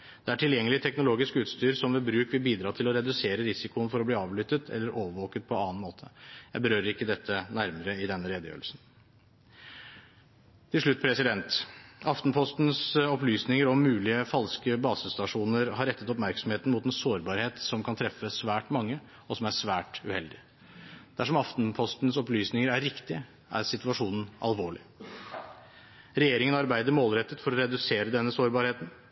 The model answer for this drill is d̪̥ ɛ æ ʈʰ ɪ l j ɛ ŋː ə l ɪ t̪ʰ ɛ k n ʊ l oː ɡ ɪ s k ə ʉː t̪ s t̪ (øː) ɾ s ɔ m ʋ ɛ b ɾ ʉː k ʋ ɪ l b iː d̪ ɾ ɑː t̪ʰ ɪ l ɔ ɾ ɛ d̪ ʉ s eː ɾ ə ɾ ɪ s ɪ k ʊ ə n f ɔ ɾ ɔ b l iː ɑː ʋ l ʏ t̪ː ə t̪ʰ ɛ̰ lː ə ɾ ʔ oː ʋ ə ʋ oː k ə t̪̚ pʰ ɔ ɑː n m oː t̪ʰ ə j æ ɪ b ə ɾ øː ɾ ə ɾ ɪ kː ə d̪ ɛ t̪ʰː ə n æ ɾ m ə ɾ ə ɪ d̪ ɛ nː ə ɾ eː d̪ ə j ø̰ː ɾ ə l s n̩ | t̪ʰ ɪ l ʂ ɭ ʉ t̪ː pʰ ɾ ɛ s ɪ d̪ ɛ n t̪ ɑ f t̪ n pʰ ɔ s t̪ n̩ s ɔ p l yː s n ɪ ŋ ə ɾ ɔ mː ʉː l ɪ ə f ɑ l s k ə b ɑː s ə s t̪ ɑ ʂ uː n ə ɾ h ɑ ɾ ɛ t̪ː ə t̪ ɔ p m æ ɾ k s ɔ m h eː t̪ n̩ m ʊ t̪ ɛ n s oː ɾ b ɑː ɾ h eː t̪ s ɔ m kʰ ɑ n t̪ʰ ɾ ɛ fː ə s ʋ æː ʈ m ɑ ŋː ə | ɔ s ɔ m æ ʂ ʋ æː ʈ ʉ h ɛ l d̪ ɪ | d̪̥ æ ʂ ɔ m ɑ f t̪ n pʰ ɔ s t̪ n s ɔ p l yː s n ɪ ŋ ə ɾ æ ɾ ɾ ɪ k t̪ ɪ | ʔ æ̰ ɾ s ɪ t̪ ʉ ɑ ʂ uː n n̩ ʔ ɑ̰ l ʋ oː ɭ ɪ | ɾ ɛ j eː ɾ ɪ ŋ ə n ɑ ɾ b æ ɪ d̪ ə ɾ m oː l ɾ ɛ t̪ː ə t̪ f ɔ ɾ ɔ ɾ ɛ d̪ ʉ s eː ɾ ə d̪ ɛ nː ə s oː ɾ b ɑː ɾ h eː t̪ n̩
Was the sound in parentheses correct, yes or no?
no